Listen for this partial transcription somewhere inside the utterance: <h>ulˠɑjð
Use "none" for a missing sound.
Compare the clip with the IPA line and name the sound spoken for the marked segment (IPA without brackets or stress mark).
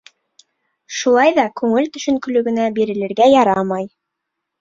ʃ